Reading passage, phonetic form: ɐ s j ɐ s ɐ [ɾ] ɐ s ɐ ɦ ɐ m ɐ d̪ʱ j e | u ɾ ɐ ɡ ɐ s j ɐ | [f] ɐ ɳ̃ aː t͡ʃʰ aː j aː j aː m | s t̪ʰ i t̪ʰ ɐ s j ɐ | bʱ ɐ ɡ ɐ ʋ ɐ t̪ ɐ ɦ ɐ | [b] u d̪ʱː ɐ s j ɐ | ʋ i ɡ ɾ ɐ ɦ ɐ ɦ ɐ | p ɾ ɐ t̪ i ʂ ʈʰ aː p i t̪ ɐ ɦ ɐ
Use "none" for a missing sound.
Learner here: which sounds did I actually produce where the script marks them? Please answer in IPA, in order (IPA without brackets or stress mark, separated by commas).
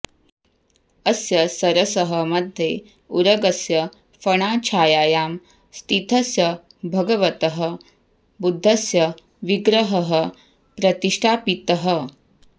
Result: ɾ, f, b